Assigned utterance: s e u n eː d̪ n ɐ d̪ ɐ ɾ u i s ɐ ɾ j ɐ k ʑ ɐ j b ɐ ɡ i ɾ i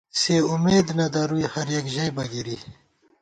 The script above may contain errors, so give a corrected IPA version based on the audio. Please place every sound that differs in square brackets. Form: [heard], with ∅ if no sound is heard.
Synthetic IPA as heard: s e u [m] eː d̪ n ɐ d̪ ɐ ɾ u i [h] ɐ ɾ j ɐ k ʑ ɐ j b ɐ ɡ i ɾ i